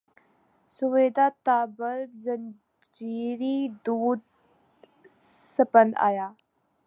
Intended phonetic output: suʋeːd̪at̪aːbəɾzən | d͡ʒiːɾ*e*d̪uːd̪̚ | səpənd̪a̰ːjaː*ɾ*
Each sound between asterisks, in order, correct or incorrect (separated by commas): incorrect, incorrect